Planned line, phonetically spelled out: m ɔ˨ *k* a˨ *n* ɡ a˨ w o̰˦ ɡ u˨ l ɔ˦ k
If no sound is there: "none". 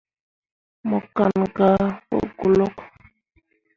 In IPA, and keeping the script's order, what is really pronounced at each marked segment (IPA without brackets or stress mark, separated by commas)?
k, n